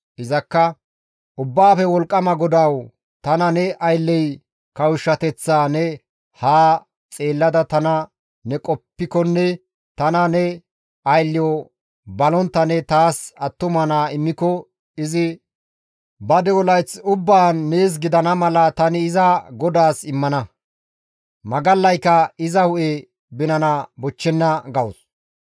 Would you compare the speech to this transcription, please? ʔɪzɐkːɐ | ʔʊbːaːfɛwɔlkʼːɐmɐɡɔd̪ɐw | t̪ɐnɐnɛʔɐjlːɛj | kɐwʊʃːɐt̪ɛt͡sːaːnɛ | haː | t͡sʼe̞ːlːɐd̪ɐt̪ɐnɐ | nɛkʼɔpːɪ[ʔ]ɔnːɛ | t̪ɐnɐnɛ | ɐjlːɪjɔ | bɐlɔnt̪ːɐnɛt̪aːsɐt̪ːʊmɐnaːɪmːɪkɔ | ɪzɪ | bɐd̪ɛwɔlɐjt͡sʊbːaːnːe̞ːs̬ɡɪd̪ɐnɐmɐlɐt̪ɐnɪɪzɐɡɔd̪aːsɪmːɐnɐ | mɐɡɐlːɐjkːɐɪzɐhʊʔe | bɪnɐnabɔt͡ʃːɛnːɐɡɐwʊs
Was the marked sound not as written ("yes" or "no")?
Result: yes